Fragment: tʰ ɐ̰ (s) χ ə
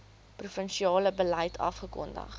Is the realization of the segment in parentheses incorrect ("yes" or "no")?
yes